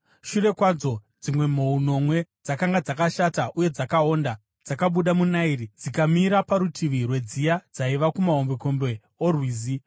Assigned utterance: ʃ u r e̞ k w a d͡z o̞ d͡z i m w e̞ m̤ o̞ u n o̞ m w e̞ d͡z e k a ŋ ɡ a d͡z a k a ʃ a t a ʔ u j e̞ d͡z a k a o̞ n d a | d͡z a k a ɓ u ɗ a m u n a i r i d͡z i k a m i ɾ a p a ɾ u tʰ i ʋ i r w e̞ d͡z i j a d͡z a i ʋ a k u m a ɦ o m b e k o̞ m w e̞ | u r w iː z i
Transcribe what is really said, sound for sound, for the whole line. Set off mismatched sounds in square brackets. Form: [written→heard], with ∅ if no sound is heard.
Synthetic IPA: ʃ u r e̞ k w a d͡z o̞ d͡z i m w e̞ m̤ o̞ u n o̞ m w e̞ d͡z [e→a] k a ŋ ɡ a d͡z a k a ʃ a t a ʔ u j e̞ d͡z a k a o̞ n d a | d͡z a k a ɓ u ɗ a m u n a i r i d͡z i k a m i ɾ a p a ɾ u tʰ i ʋ i r w e̞ d͡z i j a d͡z a i ʋ a k u m a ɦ o m b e k o̞ m [w→b] e̞ | [u→o] r w iː z i

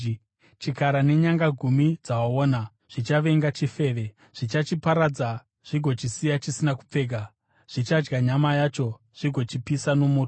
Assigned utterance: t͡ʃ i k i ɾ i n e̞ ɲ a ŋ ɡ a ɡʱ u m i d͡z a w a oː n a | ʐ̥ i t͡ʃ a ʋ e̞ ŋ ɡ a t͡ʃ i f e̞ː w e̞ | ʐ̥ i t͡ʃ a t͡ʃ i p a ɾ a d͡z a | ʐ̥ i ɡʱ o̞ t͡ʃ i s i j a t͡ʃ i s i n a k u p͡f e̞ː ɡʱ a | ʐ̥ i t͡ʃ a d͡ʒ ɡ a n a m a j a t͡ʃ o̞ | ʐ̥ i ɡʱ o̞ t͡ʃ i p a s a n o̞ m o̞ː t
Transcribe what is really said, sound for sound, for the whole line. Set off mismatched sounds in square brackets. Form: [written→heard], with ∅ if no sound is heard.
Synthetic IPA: t͡ʃ i k [i→a] ɾ [i→a] n e̞ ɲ a ŋ ɡ a ɡʱ u m i d͡z a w a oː n a | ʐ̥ i t͡ʃ a ʋ e̞ ŋ ɡ a t͡ʃ i f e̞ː [w→ʋ] e̞ | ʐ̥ i t͡ʃ a t͡ʃ i p a ɾ a d͡z a | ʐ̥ i ɡʱ o̞ t͡ʃ i s i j a t͡ʃ i s i n a k u p͡f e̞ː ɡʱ a | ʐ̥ i t͡ʃ a d͡ʒ ɡ a [n→ɲ] a m a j a t͡ʃ o̞ | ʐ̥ i ɡʱ o̞ t͡ʃ i p [a→i] s a n o̞ m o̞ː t

